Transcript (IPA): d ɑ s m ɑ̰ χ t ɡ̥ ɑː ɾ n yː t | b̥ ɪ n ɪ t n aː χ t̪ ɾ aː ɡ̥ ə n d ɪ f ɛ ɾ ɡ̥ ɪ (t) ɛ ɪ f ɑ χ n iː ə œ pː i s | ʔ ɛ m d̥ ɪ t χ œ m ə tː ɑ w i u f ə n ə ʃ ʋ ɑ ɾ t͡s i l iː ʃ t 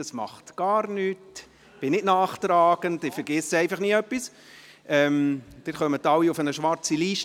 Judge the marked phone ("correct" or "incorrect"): incorrect